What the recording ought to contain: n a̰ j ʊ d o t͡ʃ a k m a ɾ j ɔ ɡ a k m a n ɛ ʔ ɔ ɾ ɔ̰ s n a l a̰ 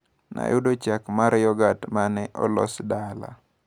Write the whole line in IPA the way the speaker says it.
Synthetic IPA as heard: n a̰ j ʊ d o t͡ʃ a k m a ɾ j ɔ ɡ a t m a n ɛ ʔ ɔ l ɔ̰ s d a l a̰